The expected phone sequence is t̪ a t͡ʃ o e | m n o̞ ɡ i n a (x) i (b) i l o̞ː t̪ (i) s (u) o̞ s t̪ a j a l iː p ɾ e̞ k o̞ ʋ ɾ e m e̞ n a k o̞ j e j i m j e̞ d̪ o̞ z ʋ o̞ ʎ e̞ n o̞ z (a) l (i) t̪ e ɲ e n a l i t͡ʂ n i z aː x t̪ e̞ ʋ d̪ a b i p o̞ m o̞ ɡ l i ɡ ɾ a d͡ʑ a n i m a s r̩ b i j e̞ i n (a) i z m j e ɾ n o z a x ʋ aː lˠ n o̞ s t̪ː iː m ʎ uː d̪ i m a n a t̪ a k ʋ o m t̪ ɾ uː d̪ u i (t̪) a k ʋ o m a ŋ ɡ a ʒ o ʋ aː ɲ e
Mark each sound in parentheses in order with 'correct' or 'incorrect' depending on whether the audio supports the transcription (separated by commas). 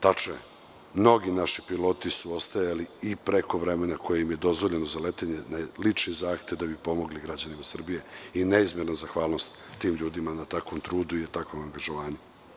incorrect, incorrect, correct, correct, correct, incorrect, incorrect, correct